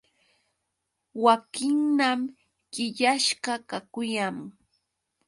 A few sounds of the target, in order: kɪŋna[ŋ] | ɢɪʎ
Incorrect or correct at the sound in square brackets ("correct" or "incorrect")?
incorrect